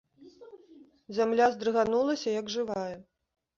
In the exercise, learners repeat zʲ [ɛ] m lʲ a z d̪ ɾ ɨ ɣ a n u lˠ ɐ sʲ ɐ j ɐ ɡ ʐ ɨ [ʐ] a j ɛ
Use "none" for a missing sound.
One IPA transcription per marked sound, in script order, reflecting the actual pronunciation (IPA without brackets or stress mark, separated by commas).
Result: a, v